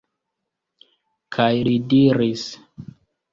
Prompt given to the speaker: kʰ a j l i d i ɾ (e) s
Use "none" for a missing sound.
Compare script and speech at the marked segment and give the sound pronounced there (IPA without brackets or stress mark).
i